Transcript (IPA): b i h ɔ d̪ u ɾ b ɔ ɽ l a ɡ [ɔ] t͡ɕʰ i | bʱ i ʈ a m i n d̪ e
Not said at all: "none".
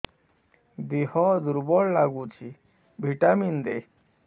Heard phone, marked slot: u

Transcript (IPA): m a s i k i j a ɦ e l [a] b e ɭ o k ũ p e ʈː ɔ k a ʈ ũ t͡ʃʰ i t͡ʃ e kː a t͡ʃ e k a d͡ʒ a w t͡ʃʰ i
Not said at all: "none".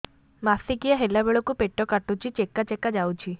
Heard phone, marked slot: a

